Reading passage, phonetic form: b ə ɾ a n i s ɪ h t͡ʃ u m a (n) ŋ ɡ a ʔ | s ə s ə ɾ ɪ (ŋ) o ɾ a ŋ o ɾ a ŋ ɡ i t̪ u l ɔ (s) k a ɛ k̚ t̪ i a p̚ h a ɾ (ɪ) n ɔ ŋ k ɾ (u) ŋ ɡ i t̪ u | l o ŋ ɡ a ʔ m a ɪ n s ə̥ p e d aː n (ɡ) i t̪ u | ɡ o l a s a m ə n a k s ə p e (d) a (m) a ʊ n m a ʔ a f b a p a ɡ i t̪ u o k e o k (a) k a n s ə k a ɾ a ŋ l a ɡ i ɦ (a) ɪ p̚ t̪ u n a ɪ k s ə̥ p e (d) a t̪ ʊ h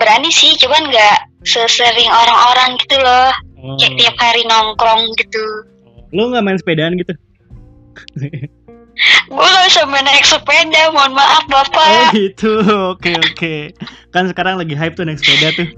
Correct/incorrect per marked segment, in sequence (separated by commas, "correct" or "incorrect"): correct, correct, incorrect, incorrect, incorrect, correct, correct, correct, incorrect, correct, correct